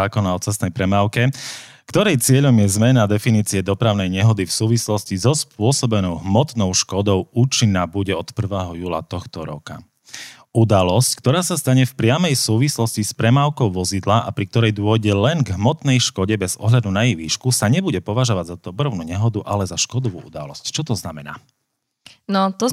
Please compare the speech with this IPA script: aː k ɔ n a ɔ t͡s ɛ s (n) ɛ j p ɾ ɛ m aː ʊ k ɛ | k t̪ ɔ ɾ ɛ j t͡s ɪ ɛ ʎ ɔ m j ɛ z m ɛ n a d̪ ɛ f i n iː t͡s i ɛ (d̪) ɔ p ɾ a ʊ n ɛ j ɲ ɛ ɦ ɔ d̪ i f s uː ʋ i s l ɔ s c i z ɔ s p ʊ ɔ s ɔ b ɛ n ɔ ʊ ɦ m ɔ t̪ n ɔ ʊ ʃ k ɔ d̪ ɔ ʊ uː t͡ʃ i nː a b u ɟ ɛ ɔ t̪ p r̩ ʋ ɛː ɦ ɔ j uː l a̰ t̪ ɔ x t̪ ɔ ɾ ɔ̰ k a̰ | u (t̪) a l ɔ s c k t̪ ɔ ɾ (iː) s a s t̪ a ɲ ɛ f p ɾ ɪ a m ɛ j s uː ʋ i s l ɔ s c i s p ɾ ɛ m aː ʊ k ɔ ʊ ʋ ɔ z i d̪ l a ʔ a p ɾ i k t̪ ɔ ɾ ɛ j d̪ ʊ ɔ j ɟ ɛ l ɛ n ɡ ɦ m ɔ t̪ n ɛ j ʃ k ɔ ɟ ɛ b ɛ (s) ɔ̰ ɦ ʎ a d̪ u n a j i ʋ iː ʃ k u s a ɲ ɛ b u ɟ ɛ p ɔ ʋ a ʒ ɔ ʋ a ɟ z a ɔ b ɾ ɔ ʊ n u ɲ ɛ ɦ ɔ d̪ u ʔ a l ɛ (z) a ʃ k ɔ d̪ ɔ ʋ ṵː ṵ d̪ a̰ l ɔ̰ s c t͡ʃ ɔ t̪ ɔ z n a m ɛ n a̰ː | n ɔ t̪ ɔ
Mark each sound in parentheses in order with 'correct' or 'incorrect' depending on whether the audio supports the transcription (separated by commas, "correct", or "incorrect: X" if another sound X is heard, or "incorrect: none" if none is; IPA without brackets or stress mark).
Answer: correct, correct, incorrect: d̪, incorrect: aː, incorrect: z, correct